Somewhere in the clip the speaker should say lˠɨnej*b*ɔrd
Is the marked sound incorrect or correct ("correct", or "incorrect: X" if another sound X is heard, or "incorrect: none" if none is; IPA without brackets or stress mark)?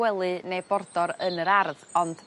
correct